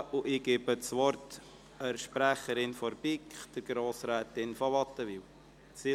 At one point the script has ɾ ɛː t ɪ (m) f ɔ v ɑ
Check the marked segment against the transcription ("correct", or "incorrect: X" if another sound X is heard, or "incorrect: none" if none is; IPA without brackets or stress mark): incorrect: n